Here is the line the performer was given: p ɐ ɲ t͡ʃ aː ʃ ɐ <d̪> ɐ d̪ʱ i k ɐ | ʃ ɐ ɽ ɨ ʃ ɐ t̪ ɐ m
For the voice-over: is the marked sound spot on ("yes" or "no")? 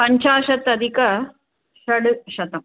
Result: no